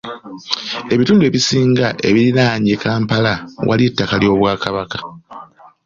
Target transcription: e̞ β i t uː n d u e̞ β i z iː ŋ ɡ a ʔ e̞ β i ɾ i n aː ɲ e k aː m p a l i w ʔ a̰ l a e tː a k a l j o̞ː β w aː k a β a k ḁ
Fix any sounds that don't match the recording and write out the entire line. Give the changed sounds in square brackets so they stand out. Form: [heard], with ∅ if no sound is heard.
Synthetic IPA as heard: e̞ β i t uː n d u e̞ β i [s] iː ŋ ɡ a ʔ e̞ β i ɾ i n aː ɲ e k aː m p a l [a] w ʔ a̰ l [i] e tː a k a l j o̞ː β w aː k a β a k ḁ